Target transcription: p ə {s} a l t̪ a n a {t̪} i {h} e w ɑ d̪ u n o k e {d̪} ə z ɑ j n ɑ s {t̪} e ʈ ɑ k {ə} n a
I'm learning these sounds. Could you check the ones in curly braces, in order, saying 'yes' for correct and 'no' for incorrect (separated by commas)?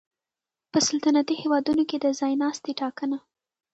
yes, yes, yes, yes, yes, yes